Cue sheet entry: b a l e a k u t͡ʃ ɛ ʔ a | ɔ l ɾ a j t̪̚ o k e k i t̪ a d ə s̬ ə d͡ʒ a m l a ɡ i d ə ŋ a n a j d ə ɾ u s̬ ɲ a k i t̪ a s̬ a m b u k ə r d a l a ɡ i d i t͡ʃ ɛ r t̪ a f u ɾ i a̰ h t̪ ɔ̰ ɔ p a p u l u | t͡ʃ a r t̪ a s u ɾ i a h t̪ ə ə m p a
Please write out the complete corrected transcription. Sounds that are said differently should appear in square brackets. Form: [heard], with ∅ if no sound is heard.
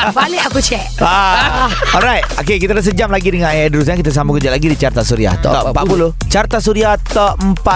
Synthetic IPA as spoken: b a l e a k u t͡ʃ ɛ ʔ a | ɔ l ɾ a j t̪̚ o k e k i t̪ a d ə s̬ ə d͡ʒ a m l a ɡ i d ə ŋ a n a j d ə ɾ u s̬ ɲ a k i t̪ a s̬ a m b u k ə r [d͡ʒ] a l a ɡ i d i t͡ʃ [a] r t̪ a [s] u ɾ i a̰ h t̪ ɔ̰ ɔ p a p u l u | t͡ʃ a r t̪ a s u ɾ i a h t̪ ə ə m p a